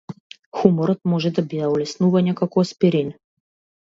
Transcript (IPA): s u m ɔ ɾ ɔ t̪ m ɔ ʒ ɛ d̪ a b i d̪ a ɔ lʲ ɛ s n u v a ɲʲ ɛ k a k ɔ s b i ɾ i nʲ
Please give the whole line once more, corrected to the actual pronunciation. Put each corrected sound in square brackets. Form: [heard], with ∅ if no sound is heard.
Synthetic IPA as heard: [x] u m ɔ ɾ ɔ t̪ m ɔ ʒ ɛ d̪ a b i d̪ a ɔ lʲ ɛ s n u v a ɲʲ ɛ k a k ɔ s [p] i ɾ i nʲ